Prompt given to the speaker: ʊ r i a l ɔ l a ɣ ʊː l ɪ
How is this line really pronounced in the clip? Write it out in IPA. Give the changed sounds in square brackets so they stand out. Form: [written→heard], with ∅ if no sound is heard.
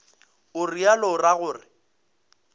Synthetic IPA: ʊ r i a l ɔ [l→r] a ɣ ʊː [l→r] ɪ